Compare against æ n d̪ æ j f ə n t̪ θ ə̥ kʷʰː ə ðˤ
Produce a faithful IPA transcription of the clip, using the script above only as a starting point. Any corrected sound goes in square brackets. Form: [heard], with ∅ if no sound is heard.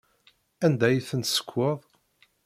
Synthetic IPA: æ n d̪ æ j [θ] ə n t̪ [s] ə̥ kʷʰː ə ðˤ